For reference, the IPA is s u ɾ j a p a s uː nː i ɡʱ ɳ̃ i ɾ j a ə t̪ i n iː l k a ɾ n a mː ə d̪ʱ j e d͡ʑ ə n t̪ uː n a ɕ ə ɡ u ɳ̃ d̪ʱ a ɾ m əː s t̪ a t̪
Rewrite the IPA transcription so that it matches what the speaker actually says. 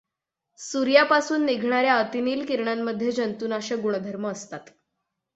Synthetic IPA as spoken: s u ɾ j a p a s uː nː i ɡʱ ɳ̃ a ɾ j a ə t̪ i n iː l k i ɾ ɳ a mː ə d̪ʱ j e d͡ʑ ə n t̪ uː n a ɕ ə ɡ u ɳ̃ d̪ʱ ə ɾ m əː s t̪ a t̪